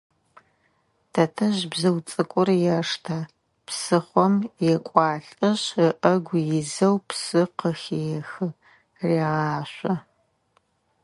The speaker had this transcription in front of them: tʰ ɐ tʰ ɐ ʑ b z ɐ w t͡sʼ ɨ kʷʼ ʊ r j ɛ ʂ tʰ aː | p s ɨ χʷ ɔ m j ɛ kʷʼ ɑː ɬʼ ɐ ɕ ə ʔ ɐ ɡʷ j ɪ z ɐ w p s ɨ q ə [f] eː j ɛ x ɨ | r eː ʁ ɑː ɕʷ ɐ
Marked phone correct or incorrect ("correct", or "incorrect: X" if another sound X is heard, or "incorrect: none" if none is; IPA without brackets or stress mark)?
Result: incorrect: x